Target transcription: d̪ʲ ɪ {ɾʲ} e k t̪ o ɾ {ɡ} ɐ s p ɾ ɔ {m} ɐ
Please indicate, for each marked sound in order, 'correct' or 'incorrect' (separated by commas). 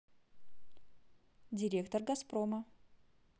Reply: correct, correct, correct